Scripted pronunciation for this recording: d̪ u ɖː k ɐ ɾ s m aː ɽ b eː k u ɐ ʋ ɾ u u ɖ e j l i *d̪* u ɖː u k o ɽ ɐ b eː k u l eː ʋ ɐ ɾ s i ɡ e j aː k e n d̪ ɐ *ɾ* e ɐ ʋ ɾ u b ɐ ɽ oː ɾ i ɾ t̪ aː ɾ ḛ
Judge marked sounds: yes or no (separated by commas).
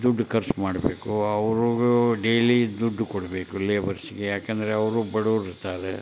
yes, yes